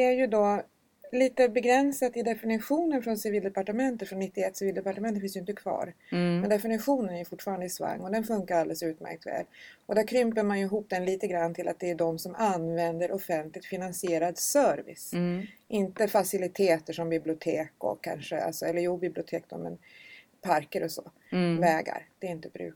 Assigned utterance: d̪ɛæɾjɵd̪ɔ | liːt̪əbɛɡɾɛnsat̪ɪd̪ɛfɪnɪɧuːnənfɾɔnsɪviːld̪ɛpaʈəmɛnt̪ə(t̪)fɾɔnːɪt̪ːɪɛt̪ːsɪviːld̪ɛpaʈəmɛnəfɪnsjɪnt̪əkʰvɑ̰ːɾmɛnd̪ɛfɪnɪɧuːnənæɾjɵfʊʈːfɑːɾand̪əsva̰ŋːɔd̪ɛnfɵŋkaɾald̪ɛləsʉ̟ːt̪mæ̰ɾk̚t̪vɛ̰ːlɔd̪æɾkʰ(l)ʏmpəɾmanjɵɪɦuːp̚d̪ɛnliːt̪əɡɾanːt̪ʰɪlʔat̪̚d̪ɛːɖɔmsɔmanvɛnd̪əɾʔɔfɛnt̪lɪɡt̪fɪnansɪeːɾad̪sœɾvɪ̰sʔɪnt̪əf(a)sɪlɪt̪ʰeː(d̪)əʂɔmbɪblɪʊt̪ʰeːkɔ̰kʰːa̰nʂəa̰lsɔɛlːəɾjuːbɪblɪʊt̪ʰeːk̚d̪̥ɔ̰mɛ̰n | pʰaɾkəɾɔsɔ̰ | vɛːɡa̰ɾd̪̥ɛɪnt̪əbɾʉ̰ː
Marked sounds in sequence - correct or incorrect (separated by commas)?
correct, incorrect, correct, incorrect